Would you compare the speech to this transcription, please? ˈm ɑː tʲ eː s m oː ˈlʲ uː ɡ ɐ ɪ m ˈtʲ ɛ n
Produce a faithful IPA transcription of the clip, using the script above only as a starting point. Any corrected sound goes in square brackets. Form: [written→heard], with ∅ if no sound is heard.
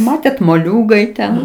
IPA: ˈm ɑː tʲ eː [s→t] m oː ˈlʲ uː ɡ ɐ ɪ [m→∅] ˈtʲ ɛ n